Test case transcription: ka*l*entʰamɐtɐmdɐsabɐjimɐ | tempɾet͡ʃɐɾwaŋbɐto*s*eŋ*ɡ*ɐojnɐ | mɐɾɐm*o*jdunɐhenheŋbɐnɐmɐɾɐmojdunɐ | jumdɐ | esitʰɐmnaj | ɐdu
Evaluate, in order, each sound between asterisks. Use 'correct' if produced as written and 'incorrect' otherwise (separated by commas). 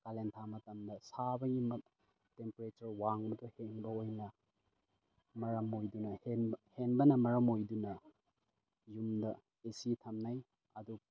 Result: correct, incorrect, incorrect, correct